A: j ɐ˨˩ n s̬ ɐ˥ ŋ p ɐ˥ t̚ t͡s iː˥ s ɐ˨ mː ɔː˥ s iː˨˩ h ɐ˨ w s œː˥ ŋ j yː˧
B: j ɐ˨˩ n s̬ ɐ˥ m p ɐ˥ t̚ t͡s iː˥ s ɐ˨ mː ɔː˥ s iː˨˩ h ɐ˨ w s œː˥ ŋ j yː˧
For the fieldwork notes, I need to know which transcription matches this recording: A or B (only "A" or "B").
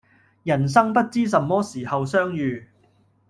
A